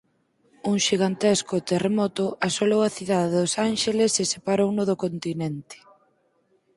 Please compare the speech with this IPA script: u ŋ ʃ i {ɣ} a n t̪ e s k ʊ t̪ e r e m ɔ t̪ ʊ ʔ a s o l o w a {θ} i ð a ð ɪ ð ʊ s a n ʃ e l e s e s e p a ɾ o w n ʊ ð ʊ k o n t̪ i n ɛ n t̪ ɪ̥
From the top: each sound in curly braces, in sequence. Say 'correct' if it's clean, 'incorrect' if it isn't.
correct, correct

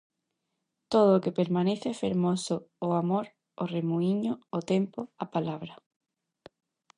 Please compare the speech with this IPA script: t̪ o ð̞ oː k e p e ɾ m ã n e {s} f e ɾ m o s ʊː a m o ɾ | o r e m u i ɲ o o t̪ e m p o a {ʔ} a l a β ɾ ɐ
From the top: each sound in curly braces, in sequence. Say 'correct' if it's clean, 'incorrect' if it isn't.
incorrect: θ, incorrect: p

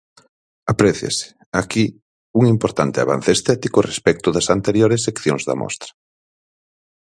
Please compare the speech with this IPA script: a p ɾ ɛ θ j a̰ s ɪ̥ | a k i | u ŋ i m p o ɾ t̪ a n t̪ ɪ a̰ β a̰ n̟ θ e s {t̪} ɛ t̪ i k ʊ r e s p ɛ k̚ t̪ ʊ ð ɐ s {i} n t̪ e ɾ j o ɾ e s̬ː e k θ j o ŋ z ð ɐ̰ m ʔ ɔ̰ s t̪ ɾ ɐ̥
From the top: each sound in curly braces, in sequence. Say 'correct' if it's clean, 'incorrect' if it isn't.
correct, incorrect: a

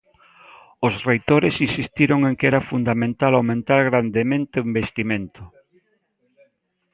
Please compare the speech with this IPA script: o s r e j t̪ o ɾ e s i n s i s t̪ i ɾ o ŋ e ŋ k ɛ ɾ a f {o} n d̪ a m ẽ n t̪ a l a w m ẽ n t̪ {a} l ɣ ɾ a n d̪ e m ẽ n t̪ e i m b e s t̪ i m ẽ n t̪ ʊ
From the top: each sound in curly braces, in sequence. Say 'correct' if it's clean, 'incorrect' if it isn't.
incorrect: u, correct

